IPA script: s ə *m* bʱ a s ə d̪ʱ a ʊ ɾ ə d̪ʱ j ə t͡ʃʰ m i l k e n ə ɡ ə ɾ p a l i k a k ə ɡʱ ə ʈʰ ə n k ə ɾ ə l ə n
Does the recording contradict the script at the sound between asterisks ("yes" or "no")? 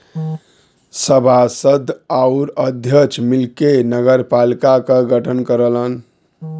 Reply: yes